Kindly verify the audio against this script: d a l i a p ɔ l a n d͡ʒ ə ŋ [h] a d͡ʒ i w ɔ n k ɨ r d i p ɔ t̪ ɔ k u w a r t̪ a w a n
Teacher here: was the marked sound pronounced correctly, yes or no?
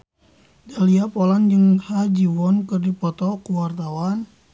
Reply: yes